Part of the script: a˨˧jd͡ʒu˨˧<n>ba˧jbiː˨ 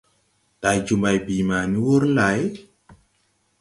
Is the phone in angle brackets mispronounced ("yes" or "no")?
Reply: yes